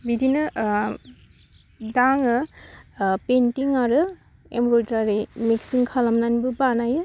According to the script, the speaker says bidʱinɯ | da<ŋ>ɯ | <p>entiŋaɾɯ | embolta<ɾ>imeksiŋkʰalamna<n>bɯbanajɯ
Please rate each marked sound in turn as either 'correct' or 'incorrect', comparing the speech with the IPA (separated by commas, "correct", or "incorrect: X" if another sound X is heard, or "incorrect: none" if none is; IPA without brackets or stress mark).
correct, correct, correct, correct